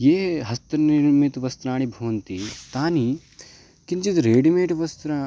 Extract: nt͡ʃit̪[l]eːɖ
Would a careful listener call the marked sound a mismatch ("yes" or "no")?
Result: yes